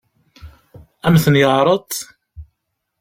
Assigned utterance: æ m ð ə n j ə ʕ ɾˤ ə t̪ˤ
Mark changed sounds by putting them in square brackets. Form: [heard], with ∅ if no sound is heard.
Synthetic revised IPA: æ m [θ] ə n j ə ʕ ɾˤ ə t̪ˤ